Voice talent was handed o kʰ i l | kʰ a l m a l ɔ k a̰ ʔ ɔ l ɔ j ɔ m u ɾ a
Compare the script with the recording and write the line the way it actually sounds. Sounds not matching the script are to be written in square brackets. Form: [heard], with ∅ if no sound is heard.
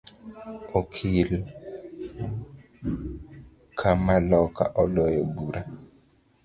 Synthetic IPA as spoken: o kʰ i l | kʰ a [∅] m a l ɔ k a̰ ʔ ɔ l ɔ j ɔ [b] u ɾ a